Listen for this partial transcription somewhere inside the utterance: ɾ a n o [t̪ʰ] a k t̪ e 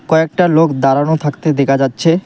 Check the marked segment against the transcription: correct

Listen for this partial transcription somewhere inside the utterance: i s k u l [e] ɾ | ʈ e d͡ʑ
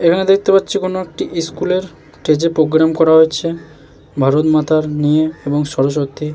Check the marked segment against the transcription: correct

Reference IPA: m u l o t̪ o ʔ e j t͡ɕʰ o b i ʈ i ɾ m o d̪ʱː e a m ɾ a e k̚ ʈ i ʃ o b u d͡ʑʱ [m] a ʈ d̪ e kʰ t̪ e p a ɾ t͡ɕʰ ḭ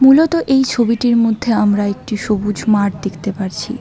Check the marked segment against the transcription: correct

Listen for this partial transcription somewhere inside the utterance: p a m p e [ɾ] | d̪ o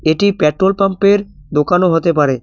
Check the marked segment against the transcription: correct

